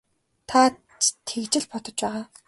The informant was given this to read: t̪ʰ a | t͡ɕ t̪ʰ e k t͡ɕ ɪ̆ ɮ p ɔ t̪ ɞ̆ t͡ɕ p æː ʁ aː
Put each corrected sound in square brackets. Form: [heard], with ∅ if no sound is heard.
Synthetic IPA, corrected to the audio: t̪ʰ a | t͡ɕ t̪ʰ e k t͡ɕ ɪ̆ ɮ p ɔ t̪ ɞ̆ t͡ɕ p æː ʁ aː